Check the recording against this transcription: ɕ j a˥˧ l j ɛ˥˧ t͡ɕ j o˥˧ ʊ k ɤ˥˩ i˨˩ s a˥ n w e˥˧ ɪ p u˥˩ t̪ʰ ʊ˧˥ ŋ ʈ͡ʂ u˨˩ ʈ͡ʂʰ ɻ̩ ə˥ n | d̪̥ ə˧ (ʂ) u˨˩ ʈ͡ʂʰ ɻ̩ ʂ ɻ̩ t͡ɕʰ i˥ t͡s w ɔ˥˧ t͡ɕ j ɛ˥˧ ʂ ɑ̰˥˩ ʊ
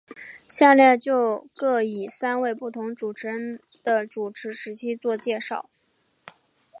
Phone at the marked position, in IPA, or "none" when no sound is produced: ʈ͡ʂ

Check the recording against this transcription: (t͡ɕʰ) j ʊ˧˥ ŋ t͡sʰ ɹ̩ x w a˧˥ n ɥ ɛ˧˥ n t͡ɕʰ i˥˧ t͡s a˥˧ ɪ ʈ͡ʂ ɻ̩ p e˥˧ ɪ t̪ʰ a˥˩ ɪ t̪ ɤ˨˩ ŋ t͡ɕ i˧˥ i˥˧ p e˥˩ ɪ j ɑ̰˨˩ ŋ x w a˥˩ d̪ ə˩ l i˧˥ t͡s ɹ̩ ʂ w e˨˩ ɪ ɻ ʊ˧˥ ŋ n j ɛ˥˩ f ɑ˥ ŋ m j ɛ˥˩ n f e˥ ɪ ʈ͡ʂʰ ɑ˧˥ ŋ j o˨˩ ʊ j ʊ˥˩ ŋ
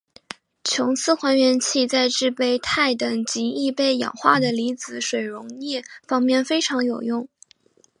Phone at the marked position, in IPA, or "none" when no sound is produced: t͡ɕʰ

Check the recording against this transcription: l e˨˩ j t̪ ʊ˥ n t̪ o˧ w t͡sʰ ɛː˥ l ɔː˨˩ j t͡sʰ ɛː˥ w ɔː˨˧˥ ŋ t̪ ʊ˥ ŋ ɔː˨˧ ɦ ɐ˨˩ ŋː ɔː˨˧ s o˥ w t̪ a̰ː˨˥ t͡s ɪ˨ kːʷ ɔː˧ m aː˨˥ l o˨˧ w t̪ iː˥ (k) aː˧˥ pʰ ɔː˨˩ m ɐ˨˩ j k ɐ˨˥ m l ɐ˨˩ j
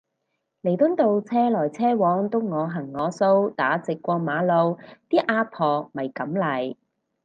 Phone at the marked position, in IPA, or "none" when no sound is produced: ʔ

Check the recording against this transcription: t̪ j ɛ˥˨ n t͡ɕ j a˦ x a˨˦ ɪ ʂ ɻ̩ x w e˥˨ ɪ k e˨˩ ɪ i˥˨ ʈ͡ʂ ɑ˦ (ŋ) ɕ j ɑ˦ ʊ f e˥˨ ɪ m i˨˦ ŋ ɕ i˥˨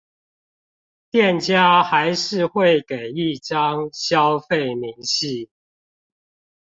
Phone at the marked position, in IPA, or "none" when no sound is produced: ŋ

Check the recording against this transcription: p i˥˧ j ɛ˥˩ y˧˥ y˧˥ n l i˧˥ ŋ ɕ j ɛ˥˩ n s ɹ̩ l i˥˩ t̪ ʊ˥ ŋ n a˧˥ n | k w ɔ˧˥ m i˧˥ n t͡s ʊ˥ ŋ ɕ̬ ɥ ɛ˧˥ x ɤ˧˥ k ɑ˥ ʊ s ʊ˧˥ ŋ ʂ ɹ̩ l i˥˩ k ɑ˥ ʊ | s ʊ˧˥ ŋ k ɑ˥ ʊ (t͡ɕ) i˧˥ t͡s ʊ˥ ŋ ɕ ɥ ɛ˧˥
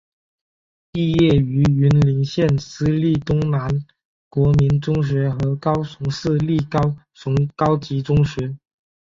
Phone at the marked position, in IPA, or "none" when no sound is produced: t͡ɕ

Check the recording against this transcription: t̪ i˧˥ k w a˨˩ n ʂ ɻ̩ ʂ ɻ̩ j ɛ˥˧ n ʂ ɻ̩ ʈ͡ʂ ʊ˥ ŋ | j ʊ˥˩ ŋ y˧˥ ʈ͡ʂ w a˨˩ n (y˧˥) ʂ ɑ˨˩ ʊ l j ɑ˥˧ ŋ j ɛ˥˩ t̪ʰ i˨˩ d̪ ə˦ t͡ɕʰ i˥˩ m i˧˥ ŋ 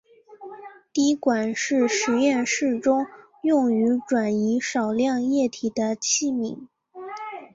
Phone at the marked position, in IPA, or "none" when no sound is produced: i˧˥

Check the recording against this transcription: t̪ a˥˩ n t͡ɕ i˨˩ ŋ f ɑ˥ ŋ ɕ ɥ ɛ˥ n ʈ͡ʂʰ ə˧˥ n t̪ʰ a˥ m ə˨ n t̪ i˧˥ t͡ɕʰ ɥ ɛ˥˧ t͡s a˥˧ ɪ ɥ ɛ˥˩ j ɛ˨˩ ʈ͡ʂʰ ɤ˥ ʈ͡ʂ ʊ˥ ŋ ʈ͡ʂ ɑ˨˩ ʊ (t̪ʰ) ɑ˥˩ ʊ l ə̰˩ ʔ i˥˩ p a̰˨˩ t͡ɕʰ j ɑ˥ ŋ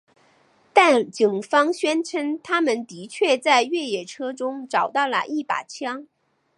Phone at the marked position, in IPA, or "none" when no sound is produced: t̪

